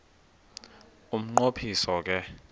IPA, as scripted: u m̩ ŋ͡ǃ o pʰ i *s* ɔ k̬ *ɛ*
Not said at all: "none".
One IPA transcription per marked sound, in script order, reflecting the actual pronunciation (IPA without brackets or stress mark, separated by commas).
s, ɛ